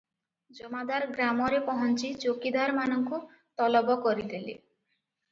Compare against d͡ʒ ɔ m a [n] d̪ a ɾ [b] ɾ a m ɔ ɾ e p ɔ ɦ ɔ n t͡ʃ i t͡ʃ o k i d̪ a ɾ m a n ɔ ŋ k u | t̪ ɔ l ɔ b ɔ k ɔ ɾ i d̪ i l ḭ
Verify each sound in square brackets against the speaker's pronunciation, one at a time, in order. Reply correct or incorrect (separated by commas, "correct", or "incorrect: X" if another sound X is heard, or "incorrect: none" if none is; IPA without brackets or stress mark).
incorrect: none, incorrect: ɡ